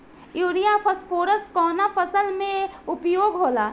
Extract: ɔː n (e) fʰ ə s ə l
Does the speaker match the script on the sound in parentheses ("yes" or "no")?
no